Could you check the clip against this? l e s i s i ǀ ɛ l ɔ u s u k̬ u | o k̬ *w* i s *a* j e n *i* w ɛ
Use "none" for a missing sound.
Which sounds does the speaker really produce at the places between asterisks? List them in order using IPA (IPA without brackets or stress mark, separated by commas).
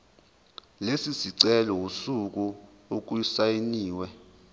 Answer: u, a, iː